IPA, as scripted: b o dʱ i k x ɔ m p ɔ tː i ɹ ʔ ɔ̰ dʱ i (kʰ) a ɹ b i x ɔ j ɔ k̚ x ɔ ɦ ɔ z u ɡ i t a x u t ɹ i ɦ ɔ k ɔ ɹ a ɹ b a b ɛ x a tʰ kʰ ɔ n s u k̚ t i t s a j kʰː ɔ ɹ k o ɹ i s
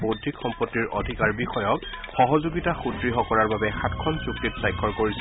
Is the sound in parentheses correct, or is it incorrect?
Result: incorrect